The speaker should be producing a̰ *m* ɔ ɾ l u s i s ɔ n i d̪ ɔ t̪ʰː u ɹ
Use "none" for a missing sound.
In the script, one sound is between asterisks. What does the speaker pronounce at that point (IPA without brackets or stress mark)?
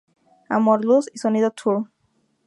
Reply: m